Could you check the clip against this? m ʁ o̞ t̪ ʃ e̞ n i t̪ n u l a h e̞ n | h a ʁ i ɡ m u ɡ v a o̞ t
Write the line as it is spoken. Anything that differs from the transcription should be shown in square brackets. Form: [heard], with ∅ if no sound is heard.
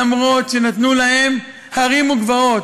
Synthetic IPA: m ʁ o̞ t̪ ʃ e̞ n [a] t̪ n u l a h e̞ [m] | h a ʁ i [∅] m u ɡ v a o̞ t